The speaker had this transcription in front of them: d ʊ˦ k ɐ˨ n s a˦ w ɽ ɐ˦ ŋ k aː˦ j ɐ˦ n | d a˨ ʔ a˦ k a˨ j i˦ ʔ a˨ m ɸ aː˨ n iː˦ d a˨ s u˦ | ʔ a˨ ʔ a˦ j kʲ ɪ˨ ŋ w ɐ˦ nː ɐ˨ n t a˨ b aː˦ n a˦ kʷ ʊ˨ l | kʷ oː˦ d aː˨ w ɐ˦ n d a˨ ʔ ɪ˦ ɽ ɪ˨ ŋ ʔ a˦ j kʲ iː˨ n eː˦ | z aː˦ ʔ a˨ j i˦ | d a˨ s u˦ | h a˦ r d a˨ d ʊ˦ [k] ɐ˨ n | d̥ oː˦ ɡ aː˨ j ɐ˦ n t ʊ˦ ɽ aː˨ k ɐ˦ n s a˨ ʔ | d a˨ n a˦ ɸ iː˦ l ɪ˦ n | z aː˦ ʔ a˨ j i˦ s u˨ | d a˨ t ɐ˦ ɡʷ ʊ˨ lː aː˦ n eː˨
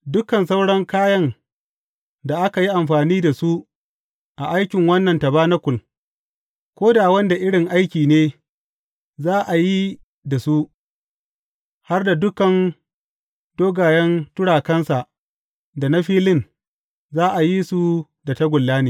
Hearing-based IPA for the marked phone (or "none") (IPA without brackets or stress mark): k